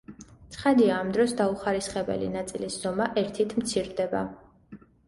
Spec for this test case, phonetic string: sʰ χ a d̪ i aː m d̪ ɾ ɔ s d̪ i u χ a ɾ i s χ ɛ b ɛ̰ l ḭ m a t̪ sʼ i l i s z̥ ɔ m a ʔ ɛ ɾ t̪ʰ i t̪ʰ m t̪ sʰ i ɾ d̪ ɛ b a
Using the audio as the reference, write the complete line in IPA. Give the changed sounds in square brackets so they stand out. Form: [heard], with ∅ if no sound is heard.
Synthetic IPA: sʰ χ a d̪ i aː m d̪ ɾ ɔ s d̪ [a] u χ a ɾ i s χ ɛ b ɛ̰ l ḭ [n] a t̪ sʼ i l i s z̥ ɔ m a ʔ ɛ ɾ t̪ʰ i t̪ʰ m t̪ sʰ i ɾ d̪ ɛ b a